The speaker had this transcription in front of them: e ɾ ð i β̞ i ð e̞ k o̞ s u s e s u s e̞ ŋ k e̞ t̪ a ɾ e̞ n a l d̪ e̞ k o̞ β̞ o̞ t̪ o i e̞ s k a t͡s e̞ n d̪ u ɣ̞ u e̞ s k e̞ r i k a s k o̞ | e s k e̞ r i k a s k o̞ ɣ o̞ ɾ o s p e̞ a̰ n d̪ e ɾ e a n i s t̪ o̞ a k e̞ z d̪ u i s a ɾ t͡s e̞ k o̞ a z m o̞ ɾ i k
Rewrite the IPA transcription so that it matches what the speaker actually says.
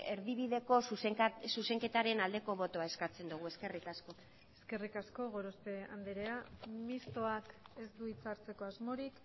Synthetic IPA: e ɾ ð i β̞ i ð e̞ k o̞ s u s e s u s e̞ ŋ k e̞ t̪ a ɾ e̞ n a l d̪ e̞ k o̞ β̞ o̞ t̪ o a e̞ s k a t͡s e̞ n d̪ u ɣ̞ u e̞ s k e̞ r i k a s k o̞ | e s k e̞ r i k a s k o̞ ɣ o̞ ɾ o s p e̞ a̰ n d̪ e ɾ e a m i s t̪ o̞ a k e̞ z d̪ u i t͡s a ɾ t͡s e̞ k o̞ a z m o̞ ɾ i k